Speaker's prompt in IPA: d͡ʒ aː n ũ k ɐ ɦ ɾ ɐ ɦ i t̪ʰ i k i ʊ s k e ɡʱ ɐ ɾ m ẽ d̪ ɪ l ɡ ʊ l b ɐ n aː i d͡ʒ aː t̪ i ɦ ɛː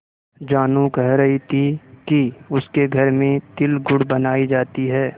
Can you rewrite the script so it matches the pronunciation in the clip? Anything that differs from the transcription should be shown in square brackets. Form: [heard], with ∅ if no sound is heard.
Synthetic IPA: d͡ʒ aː n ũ k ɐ ɦ ɾ ɐ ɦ i t̪ʰ i k i ʊ s k e ɡʱ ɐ ɾ m ẽ [t̪] ɪ l ɡ ʊ [ɽ] b ɐ n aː i d͡ʒ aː t̪ i ɦ ɛː